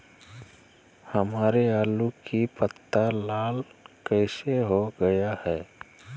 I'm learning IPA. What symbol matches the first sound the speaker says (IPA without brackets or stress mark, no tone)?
h